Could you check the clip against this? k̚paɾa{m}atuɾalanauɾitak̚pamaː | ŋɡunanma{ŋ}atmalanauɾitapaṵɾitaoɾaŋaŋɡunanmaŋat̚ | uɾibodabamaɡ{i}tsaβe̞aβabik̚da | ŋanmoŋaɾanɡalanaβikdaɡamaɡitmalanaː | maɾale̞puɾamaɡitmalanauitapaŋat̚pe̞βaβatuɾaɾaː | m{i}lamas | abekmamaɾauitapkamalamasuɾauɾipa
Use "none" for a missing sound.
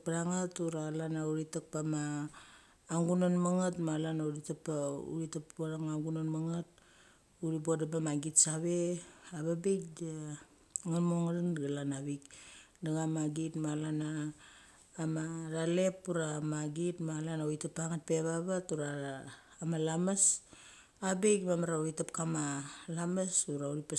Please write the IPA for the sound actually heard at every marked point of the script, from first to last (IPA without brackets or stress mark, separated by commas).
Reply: ŋ, ŋ, i, a